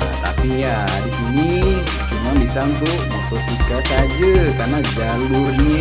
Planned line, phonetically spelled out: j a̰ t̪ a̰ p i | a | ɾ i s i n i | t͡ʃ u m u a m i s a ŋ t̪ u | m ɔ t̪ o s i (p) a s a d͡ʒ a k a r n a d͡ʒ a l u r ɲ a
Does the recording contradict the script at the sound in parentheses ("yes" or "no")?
yes